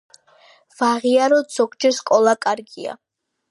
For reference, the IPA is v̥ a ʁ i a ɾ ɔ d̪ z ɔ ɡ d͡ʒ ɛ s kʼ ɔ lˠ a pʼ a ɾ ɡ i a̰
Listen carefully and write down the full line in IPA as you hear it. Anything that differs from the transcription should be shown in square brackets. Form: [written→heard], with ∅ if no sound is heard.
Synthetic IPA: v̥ a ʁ i a ɾ ɔ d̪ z ɔ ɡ d͡ʒ ɛ s kʼ ɔ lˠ a [pʼ→kʼ] a ɾ ɡ i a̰